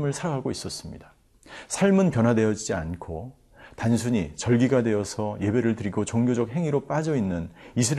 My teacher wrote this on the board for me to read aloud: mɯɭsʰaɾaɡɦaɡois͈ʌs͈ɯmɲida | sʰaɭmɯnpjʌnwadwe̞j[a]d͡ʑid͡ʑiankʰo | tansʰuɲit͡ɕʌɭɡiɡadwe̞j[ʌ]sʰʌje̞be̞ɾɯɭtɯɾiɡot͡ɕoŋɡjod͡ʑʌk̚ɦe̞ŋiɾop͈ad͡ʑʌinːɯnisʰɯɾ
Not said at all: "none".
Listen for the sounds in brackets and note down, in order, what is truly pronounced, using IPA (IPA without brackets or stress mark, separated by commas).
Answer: ʌ, ʌ